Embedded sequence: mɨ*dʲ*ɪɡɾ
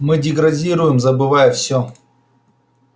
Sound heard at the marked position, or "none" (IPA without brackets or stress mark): dʲ